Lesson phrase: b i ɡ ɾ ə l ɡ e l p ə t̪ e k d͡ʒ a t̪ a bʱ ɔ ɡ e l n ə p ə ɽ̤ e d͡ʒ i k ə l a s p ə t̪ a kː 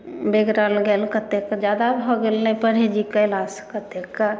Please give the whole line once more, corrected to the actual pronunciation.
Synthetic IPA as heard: b e ɡ ɾ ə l ɡ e l k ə t̪ e k d͡ʒ a d̪ a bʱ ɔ ɡ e l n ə p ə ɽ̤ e d͡ʒ i k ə l a s k ə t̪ e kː

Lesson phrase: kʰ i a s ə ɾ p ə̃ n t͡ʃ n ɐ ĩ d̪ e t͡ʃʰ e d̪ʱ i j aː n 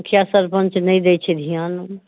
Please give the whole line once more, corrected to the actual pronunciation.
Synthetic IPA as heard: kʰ j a s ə ɾ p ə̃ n t͡ʃ n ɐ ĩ d̪ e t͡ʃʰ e d̪ʱ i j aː n

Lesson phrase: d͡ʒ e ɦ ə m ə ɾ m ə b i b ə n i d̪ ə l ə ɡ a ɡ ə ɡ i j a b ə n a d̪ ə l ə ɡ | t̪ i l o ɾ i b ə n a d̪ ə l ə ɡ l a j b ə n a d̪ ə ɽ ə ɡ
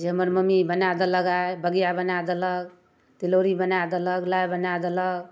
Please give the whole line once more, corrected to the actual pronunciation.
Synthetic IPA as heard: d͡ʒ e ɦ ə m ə ɾ m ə m i b ə n a d̪ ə l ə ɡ a b ə ɡ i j a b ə n a d̪ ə l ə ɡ | t̪ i l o ɾ i b ə n a d̪ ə l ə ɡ l a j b ə n a d̪ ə l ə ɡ

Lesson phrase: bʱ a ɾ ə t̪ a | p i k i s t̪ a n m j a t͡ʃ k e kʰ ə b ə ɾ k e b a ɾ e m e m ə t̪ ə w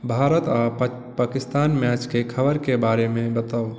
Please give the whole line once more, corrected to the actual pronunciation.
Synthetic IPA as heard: bʱ a ɾ ə t̪ a | p a k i s t̪ a n m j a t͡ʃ k e kʰ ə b ə ɾ k e b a ɾ e m e b ə t̪ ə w

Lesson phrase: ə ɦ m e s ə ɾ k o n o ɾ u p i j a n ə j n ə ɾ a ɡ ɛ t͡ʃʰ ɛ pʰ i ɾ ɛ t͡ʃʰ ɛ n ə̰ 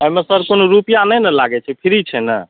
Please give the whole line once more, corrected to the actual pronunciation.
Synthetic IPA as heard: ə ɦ m e s ə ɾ k o n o ɾ u p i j a n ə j n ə l a ɡ ɛ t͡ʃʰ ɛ pʰ i ɾ i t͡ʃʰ ɛ n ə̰

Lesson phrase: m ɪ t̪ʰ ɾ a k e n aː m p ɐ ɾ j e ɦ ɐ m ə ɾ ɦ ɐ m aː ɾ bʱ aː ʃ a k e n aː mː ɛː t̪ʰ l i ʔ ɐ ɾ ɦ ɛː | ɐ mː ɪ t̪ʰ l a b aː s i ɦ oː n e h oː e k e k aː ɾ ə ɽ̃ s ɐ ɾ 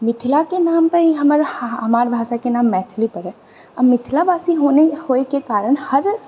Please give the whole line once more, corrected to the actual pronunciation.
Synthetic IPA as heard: m ɪ t̪ʰ l a k e n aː m p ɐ ɾ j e ɦ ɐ m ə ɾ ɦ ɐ m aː ɾ bʱ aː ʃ a k e n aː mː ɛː t̪ʰ l i p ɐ ɾ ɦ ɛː | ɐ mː ɪ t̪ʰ l a b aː s i ɦ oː n e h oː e k e k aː ɾ ə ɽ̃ h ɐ ɾ

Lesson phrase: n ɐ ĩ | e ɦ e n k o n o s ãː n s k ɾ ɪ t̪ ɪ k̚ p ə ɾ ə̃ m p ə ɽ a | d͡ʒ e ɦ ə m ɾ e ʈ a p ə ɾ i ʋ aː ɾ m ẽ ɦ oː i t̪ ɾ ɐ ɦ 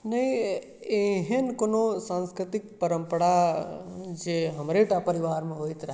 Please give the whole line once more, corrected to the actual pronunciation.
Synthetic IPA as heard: n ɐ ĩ | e ɦ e n k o n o s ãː n s k ɾ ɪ t̪ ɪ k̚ p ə ɾ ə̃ m p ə ɽ a | d͡ʒ e ɦ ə m ɾ e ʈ a p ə ɾ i ʋ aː ɾ m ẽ ɦ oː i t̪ ɾ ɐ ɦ

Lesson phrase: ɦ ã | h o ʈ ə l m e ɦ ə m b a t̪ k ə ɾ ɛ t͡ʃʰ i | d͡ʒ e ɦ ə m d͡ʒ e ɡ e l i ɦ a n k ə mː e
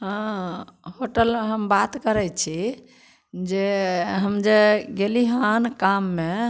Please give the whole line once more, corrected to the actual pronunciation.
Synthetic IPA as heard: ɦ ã | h o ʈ ə l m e ɦ ə m b a t̪ k ə ɾ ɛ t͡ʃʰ i | d͡ʒ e ɦ ə m d͡ʒ e ɡ e l i ɦ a n k a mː e

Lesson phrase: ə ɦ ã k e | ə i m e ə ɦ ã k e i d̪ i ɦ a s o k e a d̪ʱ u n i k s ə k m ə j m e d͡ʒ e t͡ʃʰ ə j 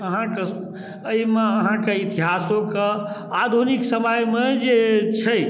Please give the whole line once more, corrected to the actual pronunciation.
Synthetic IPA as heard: ə ɦ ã k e | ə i m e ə ɦ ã k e i t̪ i ɦ a s o k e a d̪ʱ u n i k s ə m ə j m e d͡ʒ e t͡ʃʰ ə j

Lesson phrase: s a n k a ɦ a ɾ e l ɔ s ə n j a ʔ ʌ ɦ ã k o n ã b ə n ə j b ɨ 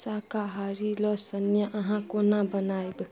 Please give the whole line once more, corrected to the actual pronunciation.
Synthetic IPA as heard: s a k a ɦ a ɾ i l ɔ s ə n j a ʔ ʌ ɦ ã k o n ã b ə n a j b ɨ

